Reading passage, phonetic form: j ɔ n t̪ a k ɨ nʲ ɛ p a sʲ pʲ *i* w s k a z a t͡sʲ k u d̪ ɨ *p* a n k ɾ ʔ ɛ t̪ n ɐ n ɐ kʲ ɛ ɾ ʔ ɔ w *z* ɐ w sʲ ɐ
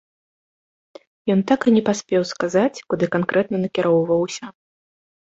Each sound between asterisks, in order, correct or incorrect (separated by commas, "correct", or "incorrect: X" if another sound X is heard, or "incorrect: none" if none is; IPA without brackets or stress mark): incorrect: ɛ, incorrect: k, incorrect: v